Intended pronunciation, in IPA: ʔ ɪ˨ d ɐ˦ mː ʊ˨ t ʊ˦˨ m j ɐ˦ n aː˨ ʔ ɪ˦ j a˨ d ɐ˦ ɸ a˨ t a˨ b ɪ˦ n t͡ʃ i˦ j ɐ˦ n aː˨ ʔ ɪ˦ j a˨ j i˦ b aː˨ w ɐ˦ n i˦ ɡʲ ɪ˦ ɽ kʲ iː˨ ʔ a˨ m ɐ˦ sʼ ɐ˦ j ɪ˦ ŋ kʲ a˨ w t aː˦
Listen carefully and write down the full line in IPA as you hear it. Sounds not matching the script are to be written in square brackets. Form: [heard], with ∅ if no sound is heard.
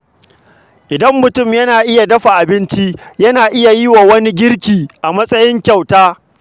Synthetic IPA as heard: ʔ ɪ˨ d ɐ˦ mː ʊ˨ t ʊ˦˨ m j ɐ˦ n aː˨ ʔ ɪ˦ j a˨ d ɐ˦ ɸ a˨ [ʔ] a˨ b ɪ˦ n t͡ʃ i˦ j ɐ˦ n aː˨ ʔ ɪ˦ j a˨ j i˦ [w] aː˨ w ɐ˦ n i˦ ɡʲ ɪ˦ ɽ kʲ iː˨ ʔ a˨ m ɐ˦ sʼ ɐ˦ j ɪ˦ ŋ kʲ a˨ w t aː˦